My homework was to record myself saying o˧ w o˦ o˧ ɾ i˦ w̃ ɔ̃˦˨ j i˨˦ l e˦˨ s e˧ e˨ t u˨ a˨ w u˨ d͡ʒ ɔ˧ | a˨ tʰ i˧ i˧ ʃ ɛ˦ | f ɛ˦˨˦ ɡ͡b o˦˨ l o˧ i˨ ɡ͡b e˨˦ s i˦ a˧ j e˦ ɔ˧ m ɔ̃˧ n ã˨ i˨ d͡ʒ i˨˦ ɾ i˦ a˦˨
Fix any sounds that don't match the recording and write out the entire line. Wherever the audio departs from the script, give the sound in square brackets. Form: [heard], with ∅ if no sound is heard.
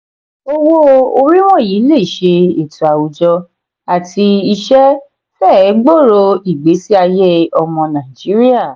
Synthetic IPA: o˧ w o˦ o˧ ɾ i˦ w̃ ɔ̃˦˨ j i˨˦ l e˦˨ [ʃ] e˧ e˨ t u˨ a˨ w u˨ d͡ʒ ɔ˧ | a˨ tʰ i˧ i˧ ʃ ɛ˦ | f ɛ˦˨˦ ɡ͡b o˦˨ [ɾ] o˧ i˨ ɡ͡b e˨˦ s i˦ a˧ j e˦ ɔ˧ m ɔ̃˧ n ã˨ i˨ d͡ʒ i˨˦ ɾ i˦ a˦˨